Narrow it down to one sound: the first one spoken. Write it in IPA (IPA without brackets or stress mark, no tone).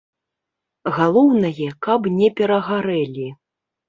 ɣ